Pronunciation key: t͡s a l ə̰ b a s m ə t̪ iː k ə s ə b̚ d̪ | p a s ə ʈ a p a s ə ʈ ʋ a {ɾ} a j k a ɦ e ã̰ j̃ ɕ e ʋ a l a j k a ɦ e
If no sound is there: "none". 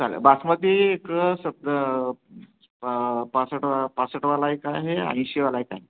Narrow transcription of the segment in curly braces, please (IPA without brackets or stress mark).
l